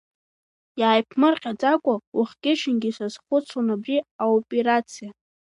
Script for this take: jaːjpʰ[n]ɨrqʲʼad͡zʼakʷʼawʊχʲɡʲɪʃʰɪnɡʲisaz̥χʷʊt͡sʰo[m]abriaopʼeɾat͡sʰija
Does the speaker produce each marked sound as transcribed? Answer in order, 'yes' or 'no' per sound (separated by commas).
no, no